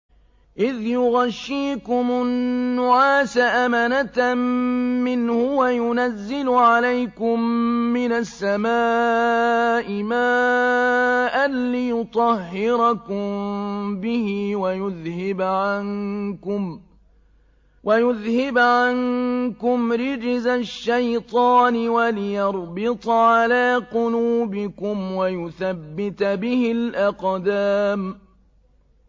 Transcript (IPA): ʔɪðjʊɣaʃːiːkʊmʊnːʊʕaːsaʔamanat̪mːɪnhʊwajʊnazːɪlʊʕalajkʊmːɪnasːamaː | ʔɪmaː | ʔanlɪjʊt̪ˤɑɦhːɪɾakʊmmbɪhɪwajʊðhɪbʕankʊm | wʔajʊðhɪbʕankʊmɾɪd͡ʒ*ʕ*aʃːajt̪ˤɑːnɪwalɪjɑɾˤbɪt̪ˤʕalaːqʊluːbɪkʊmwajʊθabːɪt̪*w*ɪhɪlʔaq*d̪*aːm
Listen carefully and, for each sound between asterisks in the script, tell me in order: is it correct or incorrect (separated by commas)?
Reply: incorrect, incorrect, correct